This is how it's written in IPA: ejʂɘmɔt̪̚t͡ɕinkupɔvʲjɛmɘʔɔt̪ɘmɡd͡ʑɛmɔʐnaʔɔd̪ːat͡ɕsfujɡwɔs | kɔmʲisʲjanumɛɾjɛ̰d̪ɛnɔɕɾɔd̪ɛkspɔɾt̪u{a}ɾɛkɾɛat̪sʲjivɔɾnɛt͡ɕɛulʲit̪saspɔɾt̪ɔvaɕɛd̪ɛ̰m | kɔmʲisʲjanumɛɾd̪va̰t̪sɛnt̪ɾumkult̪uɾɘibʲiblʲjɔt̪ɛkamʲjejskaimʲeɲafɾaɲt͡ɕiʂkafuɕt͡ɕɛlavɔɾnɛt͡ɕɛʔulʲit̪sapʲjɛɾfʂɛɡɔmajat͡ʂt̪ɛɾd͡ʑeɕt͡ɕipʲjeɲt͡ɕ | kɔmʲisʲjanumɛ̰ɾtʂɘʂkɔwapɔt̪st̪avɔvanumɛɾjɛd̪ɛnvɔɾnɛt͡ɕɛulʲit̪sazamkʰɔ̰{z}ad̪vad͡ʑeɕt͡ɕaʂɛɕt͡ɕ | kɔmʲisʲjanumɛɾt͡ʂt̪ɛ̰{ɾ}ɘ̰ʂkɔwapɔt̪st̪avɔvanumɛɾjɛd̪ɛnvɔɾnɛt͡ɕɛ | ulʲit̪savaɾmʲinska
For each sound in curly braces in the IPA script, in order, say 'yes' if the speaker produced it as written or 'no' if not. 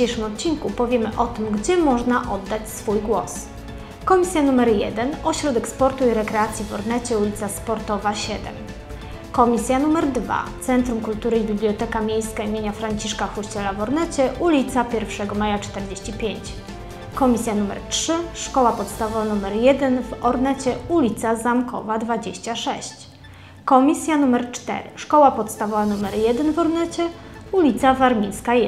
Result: no, no, yes

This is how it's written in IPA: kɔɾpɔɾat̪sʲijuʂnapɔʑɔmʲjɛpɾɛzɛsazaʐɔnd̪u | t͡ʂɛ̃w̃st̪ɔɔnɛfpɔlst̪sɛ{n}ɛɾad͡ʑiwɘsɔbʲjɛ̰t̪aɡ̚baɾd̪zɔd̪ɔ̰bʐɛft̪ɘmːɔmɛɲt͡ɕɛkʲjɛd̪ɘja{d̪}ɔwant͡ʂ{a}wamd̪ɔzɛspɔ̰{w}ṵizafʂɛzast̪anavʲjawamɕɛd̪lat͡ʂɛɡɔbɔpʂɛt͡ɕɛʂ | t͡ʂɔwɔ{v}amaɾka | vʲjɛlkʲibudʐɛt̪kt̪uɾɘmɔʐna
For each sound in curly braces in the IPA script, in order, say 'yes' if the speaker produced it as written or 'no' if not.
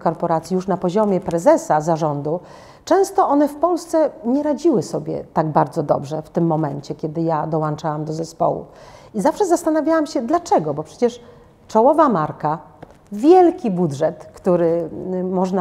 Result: no, yes, yes, yes, yes

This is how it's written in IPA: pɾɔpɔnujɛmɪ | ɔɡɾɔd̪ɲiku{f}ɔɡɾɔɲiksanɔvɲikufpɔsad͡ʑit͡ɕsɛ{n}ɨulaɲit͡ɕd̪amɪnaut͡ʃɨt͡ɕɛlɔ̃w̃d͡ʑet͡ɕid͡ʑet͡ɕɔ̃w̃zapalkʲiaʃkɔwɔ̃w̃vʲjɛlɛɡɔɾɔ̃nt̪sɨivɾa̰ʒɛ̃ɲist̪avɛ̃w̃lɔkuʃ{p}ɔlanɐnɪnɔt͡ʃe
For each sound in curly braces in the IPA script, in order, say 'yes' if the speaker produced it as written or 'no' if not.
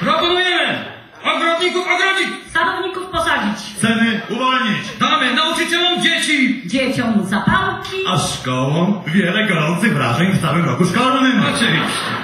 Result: yes, yes, no

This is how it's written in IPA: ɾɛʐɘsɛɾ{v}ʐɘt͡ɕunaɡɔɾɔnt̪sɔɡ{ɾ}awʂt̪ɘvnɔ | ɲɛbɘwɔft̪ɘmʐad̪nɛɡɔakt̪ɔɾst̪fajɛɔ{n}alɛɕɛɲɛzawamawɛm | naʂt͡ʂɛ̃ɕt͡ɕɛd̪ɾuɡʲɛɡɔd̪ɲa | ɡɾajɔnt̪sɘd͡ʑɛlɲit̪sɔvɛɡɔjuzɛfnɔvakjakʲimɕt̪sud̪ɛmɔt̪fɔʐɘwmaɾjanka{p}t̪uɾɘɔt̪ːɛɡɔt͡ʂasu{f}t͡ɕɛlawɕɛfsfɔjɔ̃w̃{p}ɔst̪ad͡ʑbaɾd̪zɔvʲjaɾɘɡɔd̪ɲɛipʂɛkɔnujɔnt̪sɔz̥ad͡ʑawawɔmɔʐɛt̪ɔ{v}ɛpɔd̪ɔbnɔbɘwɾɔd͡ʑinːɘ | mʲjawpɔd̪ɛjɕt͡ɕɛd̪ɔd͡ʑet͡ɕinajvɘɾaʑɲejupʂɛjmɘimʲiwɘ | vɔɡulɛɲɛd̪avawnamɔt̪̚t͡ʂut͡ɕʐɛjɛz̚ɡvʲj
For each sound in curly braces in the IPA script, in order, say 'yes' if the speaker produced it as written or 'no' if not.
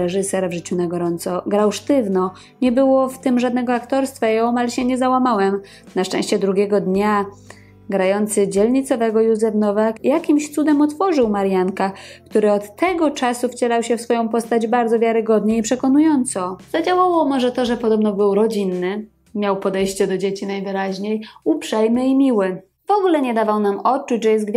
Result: yes, yes, no, no, yes, yes, no

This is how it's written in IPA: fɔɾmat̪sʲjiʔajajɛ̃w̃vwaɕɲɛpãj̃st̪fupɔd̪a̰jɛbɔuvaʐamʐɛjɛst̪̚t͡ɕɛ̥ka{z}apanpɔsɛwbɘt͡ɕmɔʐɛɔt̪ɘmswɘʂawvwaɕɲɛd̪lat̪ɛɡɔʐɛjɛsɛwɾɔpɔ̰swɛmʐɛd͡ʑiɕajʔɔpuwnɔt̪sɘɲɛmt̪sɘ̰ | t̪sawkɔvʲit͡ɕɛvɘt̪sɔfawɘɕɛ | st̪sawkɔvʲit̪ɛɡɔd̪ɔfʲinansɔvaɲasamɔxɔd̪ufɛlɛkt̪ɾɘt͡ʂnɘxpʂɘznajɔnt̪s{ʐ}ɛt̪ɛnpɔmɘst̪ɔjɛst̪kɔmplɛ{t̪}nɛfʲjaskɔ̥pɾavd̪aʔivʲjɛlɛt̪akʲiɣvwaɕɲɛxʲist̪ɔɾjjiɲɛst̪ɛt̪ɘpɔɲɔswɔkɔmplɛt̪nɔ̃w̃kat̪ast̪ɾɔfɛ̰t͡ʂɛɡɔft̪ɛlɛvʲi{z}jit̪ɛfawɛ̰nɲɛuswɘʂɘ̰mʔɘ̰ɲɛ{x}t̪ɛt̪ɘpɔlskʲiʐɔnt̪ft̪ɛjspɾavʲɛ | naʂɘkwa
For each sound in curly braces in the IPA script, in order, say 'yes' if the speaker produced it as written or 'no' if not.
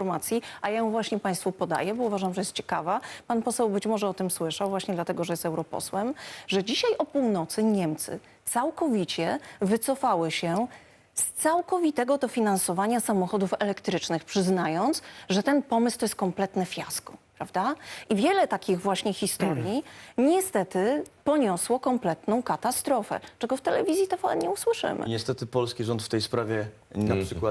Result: no, yes, yes, yes, no

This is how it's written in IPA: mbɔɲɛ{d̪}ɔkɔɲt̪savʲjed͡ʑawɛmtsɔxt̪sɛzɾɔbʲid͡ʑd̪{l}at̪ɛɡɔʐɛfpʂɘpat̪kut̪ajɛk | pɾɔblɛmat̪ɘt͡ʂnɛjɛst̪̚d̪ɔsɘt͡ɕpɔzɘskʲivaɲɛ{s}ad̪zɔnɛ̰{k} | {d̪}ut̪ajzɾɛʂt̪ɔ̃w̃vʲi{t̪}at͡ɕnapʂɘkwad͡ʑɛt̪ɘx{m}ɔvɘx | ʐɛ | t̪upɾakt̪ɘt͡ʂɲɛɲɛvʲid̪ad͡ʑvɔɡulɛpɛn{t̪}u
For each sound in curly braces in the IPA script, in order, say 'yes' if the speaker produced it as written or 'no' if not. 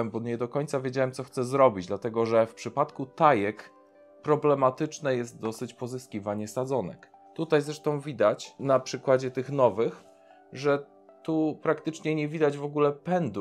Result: yes, yes, yes, yes, no, no, no, no

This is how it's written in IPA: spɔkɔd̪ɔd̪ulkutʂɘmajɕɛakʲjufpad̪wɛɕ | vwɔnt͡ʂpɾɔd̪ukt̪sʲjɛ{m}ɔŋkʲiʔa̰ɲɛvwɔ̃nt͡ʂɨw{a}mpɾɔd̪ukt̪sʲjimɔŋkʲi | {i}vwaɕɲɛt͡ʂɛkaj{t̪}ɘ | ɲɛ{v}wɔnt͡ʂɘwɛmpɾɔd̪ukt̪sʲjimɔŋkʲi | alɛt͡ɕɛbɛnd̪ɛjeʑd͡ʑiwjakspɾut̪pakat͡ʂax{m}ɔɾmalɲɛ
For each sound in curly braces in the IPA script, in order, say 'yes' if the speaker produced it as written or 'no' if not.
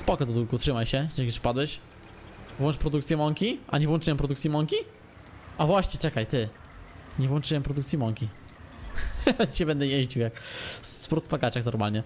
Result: yes, no, no, yes, yes, no

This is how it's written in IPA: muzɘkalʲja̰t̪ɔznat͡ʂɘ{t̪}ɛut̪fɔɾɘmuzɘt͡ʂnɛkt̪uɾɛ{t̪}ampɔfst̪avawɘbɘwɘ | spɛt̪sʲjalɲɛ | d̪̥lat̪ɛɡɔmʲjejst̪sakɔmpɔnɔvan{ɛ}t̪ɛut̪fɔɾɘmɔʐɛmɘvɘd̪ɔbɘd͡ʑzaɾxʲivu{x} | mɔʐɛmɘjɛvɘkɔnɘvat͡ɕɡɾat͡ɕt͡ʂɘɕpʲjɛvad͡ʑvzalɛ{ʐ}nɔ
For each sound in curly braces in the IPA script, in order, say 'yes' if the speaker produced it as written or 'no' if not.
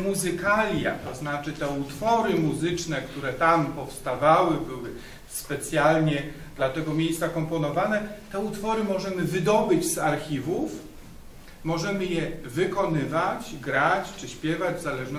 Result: yes, yes, yes, no, yes

